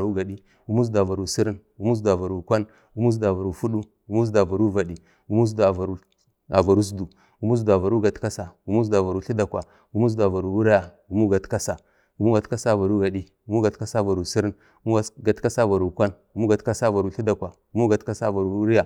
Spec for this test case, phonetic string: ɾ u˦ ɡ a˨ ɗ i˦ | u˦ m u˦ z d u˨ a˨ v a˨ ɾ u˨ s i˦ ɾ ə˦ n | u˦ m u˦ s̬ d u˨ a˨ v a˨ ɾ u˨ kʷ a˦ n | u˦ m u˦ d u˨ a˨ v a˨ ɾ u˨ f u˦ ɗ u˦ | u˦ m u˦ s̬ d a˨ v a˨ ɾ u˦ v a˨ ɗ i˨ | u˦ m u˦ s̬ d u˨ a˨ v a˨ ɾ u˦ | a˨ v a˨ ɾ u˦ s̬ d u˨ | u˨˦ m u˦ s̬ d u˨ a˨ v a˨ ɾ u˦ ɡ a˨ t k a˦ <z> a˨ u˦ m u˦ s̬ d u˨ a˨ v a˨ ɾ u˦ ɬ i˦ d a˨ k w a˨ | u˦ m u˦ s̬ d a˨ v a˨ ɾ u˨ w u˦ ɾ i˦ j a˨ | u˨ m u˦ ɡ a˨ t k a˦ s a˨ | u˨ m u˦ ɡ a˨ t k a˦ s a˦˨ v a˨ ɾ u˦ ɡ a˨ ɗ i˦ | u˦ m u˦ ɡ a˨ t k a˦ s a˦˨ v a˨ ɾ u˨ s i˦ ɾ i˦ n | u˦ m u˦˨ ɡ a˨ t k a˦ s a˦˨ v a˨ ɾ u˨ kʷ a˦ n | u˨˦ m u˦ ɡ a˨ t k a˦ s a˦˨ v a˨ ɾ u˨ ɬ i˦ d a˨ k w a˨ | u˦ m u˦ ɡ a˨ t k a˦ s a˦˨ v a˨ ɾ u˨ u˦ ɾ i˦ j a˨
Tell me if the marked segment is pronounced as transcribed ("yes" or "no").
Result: no